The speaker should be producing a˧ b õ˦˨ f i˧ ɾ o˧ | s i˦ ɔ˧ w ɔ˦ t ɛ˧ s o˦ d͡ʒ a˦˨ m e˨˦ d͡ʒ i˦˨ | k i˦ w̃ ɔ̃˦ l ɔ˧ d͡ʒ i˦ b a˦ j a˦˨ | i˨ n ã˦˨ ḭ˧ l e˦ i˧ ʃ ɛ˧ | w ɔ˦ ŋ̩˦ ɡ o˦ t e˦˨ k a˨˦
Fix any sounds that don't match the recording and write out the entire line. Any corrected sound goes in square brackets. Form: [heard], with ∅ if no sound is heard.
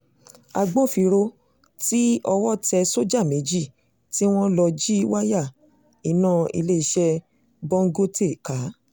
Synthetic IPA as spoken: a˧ [ɡ͡b] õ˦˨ f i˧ ɾ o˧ | [t] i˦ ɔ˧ w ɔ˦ t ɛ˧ s o˦ d͡ʒ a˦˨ m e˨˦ d͡ʒ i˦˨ | [t] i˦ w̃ ɔ̃˦ l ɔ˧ d͡ʒ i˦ [w] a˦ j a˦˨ | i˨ n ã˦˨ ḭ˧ l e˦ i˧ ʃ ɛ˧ | [b] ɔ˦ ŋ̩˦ ɡ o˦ t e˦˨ k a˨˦